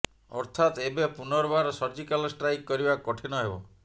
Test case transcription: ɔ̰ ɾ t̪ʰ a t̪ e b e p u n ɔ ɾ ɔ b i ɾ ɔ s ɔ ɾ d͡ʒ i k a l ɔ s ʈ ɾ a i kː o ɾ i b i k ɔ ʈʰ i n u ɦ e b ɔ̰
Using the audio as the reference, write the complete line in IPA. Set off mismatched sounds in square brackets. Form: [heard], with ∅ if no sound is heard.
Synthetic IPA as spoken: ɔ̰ ɾ t̪ʰ a t̪ e b e p u n ɔ ɾ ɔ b [a] ɾ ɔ s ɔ ɾ d͡ʒ i k a l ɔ s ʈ ɾ a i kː [ɔ] ɾ i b [a] k ɔ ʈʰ i n [ɔ] ɦ e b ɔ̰